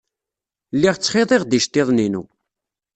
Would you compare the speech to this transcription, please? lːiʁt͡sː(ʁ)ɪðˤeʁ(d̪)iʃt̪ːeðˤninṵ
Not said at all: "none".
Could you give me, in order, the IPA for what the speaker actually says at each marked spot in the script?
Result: χ, d̪

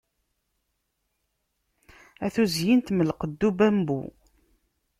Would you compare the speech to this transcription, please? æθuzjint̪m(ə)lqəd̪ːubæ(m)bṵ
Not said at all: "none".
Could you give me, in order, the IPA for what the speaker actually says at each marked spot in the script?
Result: ə, m

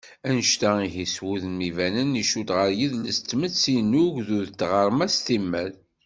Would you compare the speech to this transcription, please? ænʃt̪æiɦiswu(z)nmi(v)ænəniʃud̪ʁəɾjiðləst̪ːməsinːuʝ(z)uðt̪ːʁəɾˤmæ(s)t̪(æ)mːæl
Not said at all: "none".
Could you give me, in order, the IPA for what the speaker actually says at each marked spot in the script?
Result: ð, v, ð, s, i

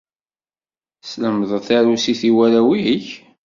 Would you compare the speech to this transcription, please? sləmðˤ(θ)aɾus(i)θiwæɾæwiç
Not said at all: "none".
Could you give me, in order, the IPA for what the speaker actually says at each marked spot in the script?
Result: θ, i

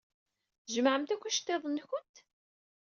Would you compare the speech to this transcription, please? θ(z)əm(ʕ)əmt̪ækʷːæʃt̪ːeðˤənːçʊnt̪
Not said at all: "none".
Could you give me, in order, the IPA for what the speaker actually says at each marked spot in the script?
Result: ʒ, ʕ

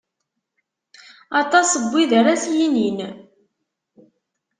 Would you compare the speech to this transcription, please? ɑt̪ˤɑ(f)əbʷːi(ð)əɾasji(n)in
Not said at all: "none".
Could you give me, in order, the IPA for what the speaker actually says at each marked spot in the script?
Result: s, ð, n

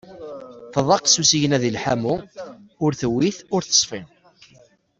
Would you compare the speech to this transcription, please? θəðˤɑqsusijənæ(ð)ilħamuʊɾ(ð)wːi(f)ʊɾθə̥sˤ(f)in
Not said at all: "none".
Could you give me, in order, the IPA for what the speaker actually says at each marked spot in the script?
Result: ð, θ, θ, f

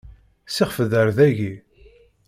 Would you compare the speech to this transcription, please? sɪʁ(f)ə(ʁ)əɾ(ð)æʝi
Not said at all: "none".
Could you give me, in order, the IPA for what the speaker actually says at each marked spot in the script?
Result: f, ð, ð

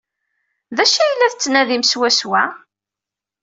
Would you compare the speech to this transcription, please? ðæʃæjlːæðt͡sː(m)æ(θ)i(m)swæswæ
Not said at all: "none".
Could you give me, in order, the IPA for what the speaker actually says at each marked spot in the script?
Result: n, ð, m

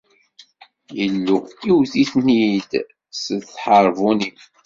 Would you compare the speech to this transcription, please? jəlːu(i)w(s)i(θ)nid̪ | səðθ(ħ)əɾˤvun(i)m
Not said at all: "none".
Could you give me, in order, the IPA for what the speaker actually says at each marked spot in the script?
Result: i, θ, θ, ħ, i

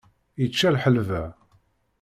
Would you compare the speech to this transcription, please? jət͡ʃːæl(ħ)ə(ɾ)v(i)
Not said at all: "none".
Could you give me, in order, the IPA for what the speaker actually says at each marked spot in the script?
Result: ħ, l, æ

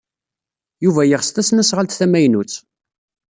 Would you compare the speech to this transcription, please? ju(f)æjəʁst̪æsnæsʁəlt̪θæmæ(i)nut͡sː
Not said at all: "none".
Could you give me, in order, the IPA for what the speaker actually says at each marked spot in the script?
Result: v, j

